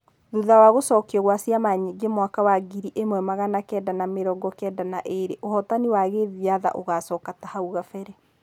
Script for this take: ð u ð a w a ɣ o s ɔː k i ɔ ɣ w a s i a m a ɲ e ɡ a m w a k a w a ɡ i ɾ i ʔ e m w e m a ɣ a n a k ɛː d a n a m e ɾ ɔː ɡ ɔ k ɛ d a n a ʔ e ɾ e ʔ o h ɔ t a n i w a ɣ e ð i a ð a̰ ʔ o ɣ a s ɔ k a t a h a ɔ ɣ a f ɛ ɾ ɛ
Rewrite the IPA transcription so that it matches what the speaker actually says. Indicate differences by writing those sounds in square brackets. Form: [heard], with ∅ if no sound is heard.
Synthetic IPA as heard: ð u ð a w a ɣ o s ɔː k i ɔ ɣ w a s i a m a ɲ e ɡ [e] m w a k a w a ɡ i ɾ i ʔ e m w [ɛ] m a ɣ a n a k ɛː d a n a m e ɾ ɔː ɡ ɔ k ɛ d a n a ʔ e ɾ e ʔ o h ɔ t a n i w a ɣ e ð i a ð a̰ ʔ o ɣ a s ɔ k a t a h a [u] ɣ a f ɛ ɾ ɛ

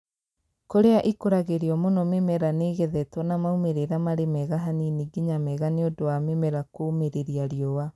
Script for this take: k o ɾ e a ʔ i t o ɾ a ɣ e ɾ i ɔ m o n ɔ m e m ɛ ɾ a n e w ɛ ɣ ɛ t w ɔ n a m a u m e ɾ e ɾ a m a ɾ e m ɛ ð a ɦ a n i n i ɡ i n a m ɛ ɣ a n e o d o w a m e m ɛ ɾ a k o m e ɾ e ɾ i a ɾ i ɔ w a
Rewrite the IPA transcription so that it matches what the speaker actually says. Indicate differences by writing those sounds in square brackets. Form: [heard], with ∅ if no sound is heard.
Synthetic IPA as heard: k o ɾ e a ʔ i [k] o ɾ a ɣ e ɾ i ɔ m o n ɔ m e m ɛ ɾ a n e [ɣ] ɛ [ð] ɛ t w ɔ n a m a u m e ɾ e ɾ a m a ɾ e m ɛ [ɣ] a ɦ a n i n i ɡ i [ɲ] a m ɛ ɣ a n e o d o w a m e m ɛ ɾ a k o m e ɾ e ɾ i a ɾ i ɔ w a

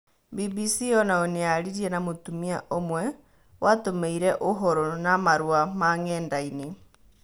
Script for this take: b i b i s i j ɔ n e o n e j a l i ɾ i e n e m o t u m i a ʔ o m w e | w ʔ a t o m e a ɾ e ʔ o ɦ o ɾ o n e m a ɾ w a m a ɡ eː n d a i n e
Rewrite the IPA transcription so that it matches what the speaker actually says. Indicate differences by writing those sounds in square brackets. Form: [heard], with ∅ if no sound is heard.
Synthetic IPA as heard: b i b i s i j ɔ n [a] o n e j a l i ɾ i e n [a] m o t u m i a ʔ o m w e | w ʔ a t o m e [i] ɾ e ʔ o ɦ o ɾ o n [a] m a ɾ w a m a [ŋ] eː n d a i n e

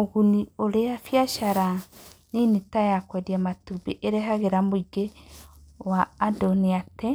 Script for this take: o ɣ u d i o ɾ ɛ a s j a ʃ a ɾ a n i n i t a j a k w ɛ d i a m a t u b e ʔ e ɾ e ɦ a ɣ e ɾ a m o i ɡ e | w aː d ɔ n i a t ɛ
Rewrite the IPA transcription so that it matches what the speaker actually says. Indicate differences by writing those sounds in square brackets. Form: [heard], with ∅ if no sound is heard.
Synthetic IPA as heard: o ɣ u [n] i o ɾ [e] a [f] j a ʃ a ɾ a n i n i t a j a k w ɛ d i a m a t u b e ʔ e ɾ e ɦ a ɣ e ɾ a m o i ɡ e | w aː d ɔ n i a t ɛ

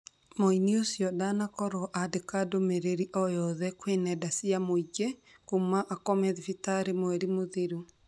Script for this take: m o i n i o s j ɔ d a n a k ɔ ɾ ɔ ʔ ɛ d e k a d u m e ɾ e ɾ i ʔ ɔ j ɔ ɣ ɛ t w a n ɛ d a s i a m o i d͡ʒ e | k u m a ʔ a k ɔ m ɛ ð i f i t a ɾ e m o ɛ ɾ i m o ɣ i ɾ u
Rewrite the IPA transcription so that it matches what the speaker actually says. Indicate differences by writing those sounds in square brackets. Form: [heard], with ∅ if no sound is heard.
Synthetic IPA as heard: m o i n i o s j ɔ d a n a k ɔ ɾ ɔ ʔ [a] d e k a d [o] m e ɾ e ɾ i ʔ ɔ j ɔ [ð] ɛ [k] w [e] n ɛ d a s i a m o i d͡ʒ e | k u m a ʔ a k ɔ m ɛ ð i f i t a ɾ e m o ɛ ɾ i m o [ð] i ɾ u

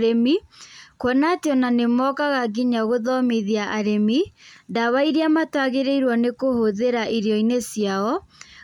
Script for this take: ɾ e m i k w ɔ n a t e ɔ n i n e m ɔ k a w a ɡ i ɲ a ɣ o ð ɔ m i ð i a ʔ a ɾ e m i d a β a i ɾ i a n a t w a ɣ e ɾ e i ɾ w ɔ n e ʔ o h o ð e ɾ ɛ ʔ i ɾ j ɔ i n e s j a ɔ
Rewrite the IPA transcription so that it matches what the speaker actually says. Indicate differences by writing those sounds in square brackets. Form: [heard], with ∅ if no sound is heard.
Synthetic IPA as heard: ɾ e m i k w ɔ n a t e ɔ n [a] n e m ɔ k a [ɣ] a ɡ i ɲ a ɣ o ð ɔ m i ð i a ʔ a ɾ e m i d a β a i ɾ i a [m] a t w a ɣ e ɾ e i ɾ w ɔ n e [k] o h o ð e ɾ [a] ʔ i ɾ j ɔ i n e s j a ɔ

